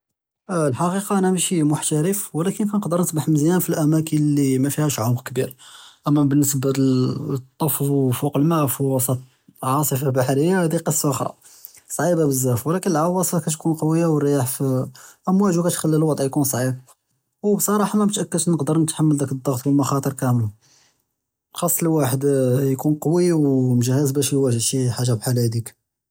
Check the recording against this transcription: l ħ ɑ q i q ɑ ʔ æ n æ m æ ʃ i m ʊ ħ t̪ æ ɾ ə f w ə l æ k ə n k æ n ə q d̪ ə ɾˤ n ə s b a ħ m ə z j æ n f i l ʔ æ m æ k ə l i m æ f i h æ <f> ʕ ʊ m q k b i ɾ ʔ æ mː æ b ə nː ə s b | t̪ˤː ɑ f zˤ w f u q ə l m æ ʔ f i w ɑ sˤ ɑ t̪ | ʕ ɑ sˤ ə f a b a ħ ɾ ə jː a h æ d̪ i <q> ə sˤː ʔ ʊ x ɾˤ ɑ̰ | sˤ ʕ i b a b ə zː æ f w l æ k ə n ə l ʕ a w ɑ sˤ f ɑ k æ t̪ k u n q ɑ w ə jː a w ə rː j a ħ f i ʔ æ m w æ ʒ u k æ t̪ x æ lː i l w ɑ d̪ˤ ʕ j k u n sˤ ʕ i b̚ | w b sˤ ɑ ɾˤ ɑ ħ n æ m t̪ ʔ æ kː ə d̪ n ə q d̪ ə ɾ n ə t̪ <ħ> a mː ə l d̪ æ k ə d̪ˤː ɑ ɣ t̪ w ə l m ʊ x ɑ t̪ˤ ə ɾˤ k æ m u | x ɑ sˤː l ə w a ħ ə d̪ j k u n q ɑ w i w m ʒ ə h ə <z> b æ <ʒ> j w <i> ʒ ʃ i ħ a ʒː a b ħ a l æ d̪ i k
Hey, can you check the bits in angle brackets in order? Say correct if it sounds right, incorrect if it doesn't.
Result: incorrect, correct, correct, correct, incorrect, incorrect

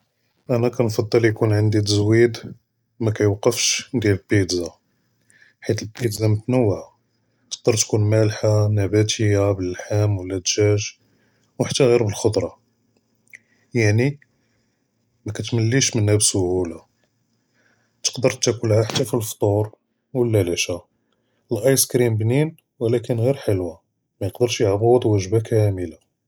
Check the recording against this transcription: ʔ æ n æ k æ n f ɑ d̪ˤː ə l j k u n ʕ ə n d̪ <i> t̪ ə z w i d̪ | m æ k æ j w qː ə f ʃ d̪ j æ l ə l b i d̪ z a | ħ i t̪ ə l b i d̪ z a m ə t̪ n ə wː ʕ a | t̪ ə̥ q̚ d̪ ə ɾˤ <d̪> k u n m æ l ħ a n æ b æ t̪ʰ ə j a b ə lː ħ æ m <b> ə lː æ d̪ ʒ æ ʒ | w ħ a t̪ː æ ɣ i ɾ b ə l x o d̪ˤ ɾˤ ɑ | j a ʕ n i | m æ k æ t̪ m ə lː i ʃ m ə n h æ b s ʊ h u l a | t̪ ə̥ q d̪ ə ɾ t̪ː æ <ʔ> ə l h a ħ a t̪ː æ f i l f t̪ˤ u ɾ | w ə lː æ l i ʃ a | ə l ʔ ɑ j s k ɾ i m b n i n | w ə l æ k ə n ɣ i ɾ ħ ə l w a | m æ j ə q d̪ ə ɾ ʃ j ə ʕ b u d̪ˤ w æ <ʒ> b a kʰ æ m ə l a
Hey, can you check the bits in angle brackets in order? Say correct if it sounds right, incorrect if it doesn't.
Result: correct, incorrect, incorrect, incorrect, correct

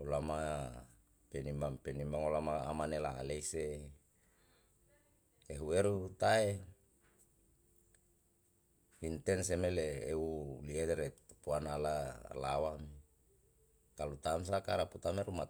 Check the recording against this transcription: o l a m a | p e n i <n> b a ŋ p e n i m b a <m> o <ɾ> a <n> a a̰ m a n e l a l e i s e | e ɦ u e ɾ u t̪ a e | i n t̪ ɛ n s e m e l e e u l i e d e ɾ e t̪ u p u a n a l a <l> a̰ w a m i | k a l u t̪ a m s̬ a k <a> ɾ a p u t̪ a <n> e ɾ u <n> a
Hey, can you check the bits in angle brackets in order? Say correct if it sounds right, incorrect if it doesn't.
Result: incorrect, incorrect, incorrect, incorrect, correct, correct, incorrect, incorrect

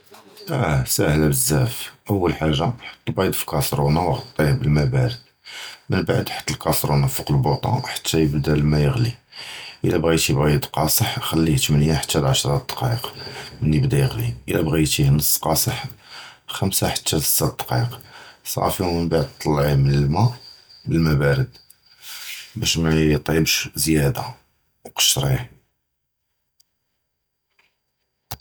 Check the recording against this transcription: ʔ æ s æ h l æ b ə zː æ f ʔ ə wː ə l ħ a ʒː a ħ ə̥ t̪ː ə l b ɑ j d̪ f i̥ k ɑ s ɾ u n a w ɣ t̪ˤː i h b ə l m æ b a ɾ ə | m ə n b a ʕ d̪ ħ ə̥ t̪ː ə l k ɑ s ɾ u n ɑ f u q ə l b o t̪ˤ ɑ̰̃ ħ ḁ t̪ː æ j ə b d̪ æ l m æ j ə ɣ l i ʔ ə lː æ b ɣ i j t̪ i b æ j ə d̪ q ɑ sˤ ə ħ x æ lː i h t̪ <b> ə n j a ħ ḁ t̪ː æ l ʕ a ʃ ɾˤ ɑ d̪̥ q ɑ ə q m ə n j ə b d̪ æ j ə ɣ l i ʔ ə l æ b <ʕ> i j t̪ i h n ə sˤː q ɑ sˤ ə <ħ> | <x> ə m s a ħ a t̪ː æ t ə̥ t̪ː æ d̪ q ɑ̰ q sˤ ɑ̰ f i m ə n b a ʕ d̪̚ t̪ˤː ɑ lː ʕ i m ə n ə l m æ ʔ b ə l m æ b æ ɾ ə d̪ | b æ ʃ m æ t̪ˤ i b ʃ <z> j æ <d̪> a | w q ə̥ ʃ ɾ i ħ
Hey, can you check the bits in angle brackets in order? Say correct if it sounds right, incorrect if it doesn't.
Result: incorrect, incorrect, correct, correct, correct, correct

